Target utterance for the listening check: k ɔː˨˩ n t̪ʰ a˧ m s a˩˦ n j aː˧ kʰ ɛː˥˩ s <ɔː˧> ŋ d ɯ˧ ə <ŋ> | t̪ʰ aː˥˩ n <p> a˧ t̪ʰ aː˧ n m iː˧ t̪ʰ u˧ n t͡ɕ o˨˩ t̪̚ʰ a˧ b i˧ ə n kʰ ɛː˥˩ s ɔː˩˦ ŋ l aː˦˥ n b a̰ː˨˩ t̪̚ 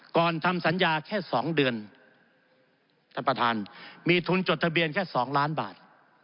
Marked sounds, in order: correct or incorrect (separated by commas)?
incorrect, incorrect, correct